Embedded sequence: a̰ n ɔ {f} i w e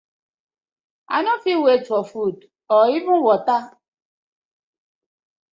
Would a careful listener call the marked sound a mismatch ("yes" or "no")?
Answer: no